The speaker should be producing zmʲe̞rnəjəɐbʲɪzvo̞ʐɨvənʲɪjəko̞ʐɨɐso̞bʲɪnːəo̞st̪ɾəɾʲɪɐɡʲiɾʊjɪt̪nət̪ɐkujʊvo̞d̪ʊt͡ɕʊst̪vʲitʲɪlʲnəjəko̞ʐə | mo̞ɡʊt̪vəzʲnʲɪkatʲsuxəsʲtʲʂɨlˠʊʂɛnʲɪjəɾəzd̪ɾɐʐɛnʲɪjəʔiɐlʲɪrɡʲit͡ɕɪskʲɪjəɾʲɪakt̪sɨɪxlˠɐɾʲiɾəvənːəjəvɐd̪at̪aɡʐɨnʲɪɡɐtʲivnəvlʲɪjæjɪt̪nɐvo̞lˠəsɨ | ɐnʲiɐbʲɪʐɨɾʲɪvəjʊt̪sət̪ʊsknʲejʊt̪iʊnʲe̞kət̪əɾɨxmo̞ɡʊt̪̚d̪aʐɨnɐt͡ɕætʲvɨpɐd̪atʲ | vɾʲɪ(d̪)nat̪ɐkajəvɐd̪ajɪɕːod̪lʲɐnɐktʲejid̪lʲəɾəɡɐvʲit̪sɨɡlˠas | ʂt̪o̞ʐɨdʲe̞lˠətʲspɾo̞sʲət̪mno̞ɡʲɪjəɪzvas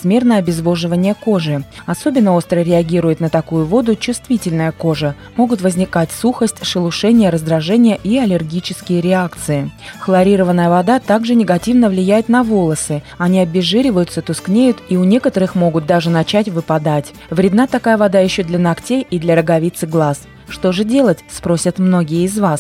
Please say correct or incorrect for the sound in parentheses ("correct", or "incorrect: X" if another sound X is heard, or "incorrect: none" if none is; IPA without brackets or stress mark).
correct